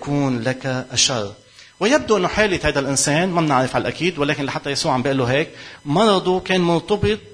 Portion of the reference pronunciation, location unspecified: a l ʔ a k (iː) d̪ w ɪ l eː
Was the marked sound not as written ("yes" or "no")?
no